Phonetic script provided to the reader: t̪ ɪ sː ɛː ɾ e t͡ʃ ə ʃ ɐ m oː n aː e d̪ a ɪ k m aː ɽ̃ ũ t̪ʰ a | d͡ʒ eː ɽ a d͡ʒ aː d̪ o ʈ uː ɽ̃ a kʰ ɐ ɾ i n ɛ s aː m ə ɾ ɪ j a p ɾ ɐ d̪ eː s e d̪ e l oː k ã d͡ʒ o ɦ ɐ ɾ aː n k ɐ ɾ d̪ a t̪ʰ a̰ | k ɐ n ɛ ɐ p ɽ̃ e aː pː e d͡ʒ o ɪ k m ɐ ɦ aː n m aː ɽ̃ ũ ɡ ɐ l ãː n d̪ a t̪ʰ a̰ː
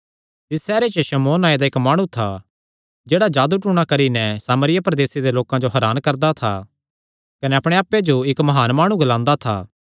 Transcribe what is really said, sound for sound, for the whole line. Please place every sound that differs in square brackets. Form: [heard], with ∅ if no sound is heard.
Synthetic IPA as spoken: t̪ ɪ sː ɛː ɾ e t͡ʃ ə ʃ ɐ m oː n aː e d̪ a ɪ k m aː ɽ̃ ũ t̪ʰ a | d͡ʒ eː ɽ a d͡ʒ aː d̪ [u] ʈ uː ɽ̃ a [k] ɐ ɾ i n ɛ s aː m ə ɾ ɪ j a p ɾ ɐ d̪ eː s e d̪ e l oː k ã d͡ʒ o ɦ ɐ ɾ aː n k ɐ ɾ d̪ a t̪ʰ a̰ | k ɐ n ɛ ɐ p ɽ̃ e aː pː e d͡ʒ o ɪ k m ɐ ɦ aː n m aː ɽ̃ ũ ɡ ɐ l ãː n d̪ a t̪ʰ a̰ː